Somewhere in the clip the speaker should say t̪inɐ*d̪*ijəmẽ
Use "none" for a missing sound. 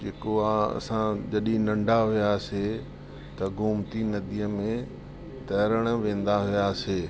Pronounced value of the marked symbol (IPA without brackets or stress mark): d̪